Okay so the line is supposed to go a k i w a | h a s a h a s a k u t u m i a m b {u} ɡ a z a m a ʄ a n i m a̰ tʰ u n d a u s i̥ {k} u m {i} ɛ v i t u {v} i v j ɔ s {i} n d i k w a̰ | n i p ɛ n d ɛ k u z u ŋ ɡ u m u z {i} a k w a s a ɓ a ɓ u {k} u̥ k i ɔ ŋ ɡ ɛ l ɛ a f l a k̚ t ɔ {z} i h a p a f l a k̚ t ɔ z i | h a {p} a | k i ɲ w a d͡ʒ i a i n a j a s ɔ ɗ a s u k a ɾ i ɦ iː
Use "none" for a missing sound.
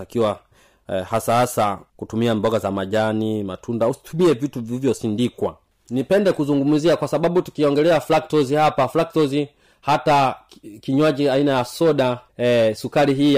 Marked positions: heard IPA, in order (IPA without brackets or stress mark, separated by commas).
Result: ɔ, t, i, v, i, i, t, z, t